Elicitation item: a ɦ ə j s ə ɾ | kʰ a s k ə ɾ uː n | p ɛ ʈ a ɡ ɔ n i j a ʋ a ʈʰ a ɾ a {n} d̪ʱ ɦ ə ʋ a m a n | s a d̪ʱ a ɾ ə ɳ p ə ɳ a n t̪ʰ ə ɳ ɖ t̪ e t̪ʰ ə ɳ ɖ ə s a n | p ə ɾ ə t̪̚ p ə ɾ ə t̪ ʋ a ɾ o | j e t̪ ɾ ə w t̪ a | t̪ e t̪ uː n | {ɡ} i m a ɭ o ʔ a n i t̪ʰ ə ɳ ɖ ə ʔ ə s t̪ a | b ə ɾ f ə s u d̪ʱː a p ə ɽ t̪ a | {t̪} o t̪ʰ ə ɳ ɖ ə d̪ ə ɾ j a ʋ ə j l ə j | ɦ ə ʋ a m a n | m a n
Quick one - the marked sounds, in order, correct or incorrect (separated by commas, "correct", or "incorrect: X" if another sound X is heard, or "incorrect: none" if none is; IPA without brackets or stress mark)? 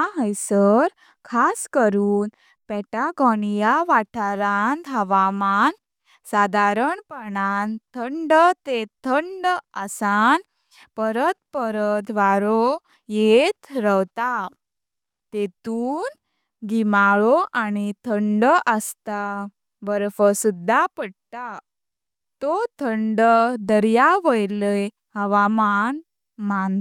correct, correct, correct